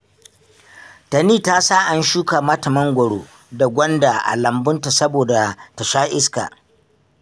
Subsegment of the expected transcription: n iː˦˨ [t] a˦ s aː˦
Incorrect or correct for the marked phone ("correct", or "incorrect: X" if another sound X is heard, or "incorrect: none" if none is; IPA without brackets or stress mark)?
correct